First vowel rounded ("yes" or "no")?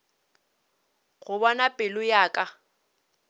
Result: yes